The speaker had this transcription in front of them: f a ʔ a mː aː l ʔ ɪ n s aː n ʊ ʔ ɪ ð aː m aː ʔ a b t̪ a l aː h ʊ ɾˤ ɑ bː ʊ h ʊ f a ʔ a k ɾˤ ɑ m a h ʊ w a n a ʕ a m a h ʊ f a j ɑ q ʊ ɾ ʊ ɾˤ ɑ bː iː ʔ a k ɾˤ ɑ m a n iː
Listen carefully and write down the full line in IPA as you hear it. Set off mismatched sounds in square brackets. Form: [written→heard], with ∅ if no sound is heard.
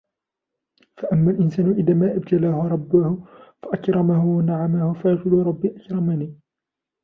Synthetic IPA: f a ʔ a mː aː l ʔ ɪ n s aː n ʊ ʔ ɪ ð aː m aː ʔ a b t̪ a l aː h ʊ ɾˤ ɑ bː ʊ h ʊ f a ʔ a k ɾˤ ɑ m a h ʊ w a n a ʕ a m a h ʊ f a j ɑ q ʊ [ɾ→l] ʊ ɾˤ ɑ bː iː ʔ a k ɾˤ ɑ m a n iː